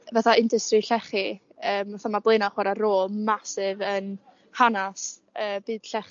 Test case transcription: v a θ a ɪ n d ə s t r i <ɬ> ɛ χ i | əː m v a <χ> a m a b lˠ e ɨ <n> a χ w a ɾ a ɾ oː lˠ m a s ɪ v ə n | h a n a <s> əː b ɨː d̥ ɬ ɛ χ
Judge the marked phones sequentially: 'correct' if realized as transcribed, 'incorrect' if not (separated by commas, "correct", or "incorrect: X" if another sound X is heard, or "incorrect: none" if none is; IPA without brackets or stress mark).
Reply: correct, incorrect: θ, correct, correct